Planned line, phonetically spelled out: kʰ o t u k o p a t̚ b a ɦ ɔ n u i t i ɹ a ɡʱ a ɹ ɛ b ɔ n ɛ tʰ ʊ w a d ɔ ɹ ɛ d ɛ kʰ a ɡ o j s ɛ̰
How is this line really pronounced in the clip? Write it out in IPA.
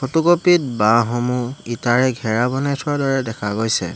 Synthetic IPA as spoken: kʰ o t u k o p i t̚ b a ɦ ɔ m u i t a ɹ ɛ ɡʱ ɛ ɹ a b ɔ n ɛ tʰ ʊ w a d ɔ ɹ ɛ d ɛ kʰ a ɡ o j s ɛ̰